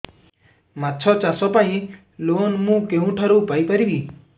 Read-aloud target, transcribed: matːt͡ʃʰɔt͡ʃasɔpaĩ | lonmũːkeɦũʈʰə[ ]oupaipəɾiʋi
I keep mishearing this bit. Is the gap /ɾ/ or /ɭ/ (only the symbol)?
ɾ